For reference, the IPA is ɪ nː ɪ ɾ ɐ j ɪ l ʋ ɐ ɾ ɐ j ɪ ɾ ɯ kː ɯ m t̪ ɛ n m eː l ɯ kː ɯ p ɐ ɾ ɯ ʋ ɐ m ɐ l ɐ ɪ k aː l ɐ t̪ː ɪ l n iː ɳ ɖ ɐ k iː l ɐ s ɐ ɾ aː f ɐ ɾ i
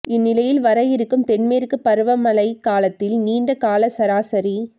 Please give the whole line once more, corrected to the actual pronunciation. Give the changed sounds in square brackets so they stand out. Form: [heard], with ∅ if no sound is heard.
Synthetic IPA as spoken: ɪ nː ɪ [l] ɐ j ɪ l ʋ ɐ ɾ ɐ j ɪ ɾ ɯ kː ɯ m t̪ ɛ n m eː [ɾ] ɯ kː ɯ p ɐ ɾ ɯ ʋ ɐ m ɐ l ɐ ɪ k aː l ɐ t̪ː ɪ l n iː ɳ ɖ ɐ k [aː] l ɐ s ɐ ɾ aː [s] ɐ ɾ i